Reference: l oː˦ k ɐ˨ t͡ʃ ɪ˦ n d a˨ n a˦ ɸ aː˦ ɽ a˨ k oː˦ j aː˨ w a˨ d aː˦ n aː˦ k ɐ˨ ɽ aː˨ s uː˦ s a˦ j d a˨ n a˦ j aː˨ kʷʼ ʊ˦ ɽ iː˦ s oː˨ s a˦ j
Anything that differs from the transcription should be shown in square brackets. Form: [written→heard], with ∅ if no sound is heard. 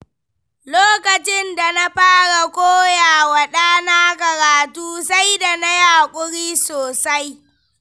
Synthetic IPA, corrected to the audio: l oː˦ k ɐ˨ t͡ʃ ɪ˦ n d a˨ n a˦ ɸ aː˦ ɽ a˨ k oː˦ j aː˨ w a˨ [d→ɗ] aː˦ n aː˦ k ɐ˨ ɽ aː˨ [s→t] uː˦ s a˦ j d a˨ n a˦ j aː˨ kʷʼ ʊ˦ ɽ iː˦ s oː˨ s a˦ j